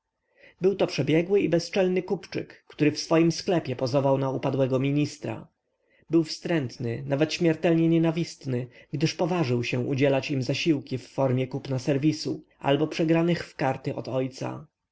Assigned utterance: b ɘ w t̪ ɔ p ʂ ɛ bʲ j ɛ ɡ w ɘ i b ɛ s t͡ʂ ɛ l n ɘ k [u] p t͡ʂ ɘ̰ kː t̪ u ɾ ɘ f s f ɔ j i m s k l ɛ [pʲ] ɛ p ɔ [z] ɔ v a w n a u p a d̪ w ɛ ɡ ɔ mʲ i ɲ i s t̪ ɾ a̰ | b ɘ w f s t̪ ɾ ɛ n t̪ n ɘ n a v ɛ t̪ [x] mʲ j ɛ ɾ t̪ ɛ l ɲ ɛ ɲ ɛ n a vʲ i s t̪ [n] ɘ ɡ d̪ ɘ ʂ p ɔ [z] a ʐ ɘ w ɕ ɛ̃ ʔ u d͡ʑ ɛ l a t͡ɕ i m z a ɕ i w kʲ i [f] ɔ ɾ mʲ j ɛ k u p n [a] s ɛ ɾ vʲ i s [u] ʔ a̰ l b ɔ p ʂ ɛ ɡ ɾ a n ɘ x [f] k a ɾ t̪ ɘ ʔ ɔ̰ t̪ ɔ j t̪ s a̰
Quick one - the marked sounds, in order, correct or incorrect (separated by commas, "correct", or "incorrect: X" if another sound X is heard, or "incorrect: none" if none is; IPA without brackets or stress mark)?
correct, correct, correct, incorrect: ɕ, correct, incorrect: v, incorrect: fː, correct, correct, correct